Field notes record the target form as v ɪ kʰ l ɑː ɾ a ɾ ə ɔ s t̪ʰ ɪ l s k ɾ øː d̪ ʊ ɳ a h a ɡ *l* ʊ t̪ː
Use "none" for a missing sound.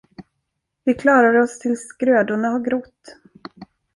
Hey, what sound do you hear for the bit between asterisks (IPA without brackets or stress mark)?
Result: ɾ